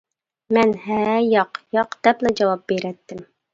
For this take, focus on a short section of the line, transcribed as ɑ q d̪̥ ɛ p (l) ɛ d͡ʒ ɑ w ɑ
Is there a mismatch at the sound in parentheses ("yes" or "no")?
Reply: no